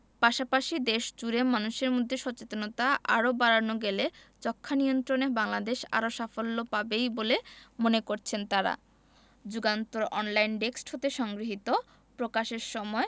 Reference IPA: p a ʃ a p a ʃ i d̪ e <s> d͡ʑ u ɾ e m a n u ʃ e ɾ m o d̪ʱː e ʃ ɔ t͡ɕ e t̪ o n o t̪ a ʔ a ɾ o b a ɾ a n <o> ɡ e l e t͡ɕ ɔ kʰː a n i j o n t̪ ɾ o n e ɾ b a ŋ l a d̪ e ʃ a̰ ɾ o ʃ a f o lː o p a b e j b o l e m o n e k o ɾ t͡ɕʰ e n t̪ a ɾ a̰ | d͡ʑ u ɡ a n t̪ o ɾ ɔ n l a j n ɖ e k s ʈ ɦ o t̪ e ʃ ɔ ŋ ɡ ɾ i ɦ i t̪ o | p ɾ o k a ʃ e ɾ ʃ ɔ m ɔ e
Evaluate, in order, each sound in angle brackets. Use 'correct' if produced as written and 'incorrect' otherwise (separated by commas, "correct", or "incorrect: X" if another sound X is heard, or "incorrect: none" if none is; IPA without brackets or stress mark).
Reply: incorrect: ʃ, correct